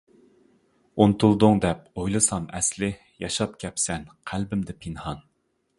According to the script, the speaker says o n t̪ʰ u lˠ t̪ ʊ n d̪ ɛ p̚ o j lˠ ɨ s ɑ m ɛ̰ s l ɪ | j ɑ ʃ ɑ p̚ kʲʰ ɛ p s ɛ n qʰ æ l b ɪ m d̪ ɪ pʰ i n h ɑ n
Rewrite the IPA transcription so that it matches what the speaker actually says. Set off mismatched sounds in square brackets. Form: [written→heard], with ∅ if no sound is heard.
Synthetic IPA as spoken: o n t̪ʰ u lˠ [t̪→d̪] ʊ [n→ŋ] d̪ ɛ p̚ o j lˠ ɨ s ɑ m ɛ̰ s l ɪ | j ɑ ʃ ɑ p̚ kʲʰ ɛ p s ɛ n qʰ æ l b ɪ m d̪ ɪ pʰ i n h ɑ n